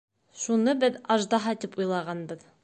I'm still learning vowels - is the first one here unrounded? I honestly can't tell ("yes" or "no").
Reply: no